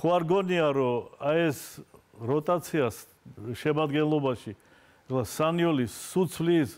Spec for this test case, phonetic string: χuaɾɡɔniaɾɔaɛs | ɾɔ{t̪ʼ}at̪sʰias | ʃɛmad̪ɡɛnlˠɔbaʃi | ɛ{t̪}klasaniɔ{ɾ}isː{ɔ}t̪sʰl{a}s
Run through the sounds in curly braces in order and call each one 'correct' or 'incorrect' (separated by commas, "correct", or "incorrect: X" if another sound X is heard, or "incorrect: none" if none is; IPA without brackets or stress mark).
correct, incorrect: none, incorrect: l, incorrect: u, incorrect: i